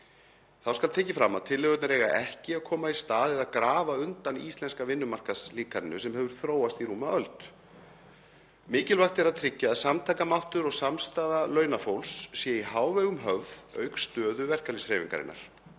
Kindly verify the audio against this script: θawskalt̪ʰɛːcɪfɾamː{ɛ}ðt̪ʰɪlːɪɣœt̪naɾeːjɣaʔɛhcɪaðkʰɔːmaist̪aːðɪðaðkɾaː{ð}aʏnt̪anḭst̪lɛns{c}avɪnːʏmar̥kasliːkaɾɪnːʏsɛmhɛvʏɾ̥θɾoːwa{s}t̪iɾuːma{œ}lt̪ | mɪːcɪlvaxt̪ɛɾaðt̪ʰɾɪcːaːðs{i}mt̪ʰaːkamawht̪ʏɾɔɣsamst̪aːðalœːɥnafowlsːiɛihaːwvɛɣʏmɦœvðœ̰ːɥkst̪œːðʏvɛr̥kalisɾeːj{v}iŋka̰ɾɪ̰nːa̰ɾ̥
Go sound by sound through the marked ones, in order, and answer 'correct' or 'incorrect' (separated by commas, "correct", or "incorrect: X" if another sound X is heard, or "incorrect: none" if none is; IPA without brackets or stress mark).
incorrect: a, incorrect: v, incorrect: k, correct, correct, incorrect: a, correct